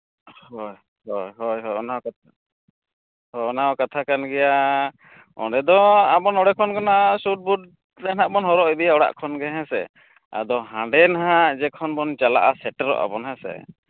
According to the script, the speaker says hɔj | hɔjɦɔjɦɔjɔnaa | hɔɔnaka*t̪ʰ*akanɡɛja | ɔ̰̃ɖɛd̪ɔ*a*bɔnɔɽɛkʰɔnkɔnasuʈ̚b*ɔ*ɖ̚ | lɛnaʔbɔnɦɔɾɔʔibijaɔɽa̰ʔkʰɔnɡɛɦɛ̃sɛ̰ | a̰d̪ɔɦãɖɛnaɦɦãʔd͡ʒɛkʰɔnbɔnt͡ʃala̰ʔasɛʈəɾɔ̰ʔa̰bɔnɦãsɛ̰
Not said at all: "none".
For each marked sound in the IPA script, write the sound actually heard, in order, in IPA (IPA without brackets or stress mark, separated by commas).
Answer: t̪ʰ, a, u